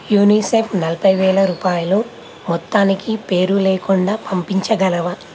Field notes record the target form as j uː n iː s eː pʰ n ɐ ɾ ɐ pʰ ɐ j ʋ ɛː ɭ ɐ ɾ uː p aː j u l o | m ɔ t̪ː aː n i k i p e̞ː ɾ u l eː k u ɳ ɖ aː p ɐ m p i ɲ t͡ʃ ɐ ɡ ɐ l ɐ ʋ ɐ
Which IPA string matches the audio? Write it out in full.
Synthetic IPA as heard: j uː n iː s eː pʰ n ɐ l ɐ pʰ ɐ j ʋ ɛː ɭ ɐ ɾ uː p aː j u l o | m ɔ t̪ː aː n i k i p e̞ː ɾ u l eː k u ɳ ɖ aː p ɐ m p i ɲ t͡ʃ ɐ ɡ ɐ l ɐ ʋ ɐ